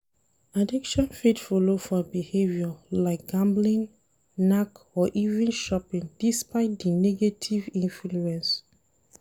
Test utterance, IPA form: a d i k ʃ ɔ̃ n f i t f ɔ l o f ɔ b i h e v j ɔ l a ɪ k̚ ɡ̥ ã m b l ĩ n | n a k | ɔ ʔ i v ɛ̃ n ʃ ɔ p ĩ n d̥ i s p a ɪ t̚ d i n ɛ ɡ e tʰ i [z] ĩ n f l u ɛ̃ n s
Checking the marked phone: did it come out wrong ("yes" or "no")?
yes